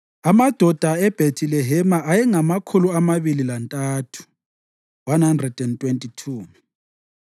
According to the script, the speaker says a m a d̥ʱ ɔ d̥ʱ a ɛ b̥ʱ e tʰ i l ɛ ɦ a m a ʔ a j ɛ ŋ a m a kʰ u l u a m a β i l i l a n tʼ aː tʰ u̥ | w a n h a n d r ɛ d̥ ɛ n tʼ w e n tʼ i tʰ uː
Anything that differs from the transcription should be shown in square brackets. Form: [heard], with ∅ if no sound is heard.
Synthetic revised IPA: a m a d̥ʱ ɔ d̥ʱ a ɛ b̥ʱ e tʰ i l ɛ ɦ [ɛ] m a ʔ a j ɛ ŋ a m a kʰ u l u a m a β i l i l a n tʼ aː tʰ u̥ | w a n h a n d r ɛ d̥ ɛ n tʼ w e n tʼ i tʰ uː